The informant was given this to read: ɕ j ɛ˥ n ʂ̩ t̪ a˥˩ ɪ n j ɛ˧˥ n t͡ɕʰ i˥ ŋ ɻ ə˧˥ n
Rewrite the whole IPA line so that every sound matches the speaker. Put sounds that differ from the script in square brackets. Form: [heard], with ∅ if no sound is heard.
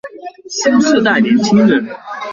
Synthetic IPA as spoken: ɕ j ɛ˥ n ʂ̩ t̪ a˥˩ ɪ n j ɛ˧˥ n t͡ɕʰ i˥ ŋ ɻ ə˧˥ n